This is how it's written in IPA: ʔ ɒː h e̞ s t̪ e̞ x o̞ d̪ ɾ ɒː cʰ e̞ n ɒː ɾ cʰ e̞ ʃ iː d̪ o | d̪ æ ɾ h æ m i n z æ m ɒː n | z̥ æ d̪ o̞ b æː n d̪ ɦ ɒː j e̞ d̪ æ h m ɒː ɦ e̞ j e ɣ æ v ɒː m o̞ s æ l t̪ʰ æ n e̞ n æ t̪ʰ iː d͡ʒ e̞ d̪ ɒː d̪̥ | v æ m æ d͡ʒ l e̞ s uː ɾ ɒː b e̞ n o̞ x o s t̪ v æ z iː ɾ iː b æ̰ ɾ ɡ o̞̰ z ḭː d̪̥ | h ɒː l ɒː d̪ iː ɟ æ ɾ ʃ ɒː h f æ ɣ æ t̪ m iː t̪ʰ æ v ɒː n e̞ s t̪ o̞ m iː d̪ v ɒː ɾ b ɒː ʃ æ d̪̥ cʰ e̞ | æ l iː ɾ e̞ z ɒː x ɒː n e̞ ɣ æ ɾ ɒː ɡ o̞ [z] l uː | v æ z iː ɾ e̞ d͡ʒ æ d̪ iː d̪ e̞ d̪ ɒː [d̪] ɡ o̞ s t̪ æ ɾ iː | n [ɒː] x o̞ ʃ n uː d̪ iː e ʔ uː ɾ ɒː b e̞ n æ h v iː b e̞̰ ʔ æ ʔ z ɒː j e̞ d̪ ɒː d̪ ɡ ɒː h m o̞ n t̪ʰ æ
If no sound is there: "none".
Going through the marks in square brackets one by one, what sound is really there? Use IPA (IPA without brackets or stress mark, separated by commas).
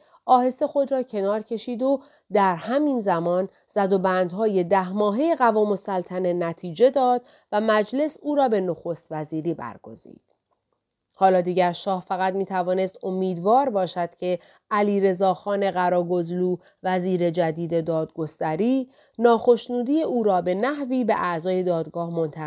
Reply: z, d̪, ɒː